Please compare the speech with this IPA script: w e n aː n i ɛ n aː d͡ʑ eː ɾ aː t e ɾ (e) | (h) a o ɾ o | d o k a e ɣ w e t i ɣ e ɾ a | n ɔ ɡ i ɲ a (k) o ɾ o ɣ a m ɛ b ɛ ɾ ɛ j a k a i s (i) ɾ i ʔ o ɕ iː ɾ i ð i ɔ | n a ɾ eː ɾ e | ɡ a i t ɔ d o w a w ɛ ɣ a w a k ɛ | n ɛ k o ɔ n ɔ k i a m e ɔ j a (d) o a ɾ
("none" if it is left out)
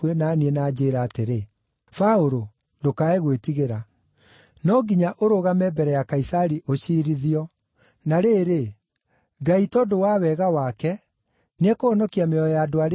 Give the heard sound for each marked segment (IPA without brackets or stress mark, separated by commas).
e, f, ʔ, a, d